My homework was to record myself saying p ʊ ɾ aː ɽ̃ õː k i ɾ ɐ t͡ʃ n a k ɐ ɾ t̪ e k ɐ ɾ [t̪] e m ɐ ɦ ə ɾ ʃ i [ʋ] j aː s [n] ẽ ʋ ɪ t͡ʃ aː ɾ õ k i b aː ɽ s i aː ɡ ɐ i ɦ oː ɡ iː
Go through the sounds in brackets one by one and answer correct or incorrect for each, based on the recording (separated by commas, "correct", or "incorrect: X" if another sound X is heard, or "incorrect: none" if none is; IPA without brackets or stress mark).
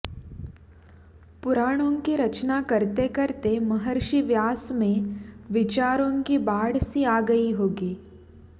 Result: correct, correct, incorrect: m